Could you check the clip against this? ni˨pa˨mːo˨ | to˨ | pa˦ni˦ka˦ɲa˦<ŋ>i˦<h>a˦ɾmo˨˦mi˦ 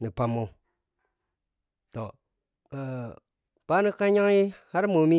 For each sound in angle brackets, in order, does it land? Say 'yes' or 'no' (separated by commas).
yes, yes